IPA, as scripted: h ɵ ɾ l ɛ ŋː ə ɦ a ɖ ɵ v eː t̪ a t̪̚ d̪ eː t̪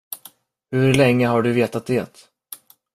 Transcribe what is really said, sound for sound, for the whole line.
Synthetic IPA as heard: h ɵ ɾ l ɛ ŋː ə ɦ a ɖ ɵ v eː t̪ a t̪̚ d̪ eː t̪